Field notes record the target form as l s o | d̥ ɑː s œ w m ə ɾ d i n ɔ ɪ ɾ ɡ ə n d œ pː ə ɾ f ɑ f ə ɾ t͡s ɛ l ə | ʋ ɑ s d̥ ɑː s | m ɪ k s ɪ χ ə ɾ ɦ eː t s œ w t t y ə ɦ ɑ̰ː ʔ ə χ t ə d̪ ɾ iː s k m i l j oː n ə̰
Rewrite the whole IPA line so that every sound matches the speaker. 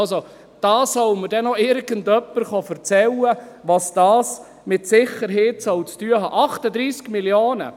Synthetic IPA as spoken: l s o | d̥ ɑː s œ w m ə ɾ d ɛ n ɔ ɪ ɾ ɡ ə n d œ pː ə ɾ χ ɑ f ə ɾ t͡s ɛ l ə | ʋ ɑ s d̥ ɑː s | m ɪ t s ɪ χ ə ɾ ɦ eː t s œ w t͡s t y ə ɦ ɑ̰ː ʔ ɑ χ t ə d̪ ɾ iː s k m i l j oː n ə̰